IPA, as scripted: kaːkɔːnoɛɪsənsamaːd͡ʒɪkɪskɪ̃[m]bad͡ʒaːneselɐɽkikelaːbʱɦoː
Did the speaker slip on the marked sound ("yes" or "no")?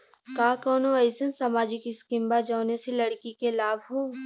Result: no